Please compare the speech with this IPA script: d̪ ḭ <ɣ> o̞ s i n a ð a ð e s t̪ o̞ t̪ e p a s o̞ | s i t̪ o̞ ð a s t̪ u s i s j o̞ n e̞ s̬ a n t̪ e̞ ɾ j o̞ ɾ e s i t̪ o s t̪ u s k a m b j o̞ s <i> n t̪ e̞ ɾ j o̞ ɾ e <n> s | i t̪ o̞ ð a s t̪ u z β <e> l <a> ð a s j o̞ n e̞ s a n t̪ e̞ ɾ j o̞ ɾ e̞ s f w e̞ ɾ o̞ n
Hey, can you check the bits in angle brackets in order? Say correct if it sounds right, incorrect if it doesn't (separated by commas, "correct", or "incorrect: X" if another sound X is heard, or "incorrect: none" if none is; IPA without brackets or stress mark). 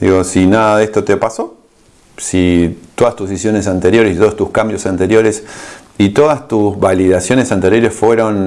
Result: correct, incorrect: a, incorrect: none, incorrect: a, incorrect: i